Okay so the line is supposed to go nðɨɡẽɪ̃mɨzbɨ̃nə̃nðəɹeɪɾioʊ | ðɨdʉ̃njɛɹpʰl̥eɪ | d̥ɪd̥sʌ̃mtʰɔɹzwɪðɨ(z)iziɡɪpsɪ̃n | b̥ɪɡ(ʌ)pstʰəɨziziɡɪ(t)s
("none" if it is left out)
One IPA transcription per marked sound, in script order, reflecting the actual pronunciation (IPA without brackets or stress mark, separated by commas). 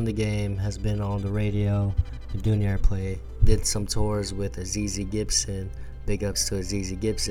z, ʌ, p